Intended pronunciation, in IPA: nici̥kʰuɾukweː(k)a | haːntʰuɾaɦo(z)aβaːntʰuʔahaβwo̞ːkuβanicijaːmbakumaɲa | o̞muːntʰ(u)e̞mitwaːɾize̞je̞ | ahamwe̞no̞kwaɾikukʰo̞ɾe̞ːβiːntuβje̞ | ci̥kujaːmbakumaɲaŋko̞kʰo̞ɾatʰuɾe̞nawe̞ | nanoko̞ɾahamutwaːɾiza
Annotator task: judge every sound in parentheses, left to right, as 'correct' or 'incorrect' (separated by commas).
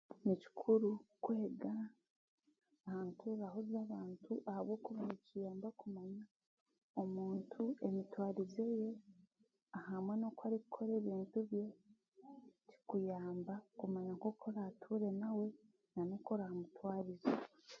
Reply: incorrect, correct, correct